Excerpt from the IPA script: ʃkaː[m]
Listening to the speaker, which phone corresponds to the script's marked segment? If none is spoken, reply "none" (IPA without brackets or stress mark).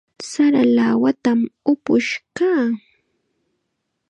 none